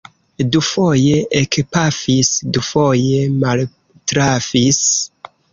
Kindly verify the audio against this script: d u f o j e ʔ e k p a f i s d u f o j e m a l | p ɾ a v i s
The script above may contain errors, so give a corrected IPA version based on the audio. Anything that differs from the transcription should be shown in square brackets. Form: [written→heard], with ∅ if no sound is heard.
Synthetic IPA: d u f o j e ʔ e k p a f i s d u f o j e m a l | [p→t] ɾ a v i s